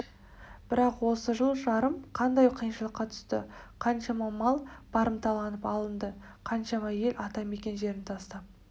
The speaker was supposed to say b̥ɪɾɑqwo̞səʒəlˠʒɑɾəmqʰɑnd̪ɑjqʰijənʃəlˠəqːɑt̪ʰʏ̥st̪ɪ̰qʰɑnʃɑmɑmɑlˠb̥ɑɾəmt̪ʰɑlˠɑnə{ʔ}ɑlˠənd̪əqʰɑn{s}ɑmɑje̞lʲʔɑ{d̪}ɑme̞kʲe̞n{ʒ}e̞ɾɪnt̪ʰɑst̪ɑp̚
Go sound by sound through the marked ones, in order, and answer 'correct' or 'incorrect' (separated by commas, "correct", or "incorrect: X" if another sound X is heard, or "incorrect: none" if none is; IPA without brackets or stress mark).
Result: incorrect: p, incorrect: ʃ, incorrect: t̪, correct